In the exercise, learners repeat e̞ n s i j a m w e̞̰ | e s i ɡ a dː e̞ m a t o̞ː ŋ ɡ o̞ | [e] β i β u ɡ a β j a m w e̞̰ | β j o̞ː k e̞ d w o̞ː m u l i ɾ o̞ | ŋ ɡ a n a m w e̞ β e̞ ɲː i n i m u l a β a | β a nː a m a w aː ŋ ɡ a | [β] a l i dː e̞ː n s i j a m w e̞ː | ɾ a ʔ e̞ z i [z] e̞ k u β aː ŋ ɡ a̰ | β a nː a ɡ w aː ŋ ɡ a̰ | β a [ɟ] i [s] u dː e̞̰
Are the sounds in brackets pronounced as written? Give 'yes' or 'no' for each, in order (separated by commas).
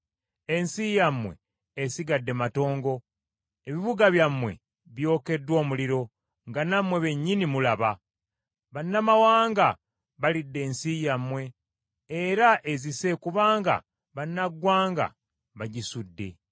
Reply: yes, yes, no, yes, yes